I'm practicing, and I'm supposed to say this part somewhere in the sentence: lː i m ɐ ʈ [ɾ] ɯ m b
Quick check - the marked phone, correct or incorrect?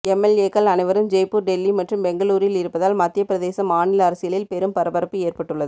incorrect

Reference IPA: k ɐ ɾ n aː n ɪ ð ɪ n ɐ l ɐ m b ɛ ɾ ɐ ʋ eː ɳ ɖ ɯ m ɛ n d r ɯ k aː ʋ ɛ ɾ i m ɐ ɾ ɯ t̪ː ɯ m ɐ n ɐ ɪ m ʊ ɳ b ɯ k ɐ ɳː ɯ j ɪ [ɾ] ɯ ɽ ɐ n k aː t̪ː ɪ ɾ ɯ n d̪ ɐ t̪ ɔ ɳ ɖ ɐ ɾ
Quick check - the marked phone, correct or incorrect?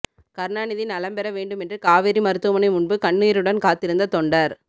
correct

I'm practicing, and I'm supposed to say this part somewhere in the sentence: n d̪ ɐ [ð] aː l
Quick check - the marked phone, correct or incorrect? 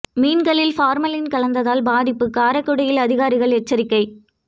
correct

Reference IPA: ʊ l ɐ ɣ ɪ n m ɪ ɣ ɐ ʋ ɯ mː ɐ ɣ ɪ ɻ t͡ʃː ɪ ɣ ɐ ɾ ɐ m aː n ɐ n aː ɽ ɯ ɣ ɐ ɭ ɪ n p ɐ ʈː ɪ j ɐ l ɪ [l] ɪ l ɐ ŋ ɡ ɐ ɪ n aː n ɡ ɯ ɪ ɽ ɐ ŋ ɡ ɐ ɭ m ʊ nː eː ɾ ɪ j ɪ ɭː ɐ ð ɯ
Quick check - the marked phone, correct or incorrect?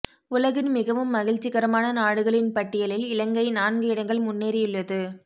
correct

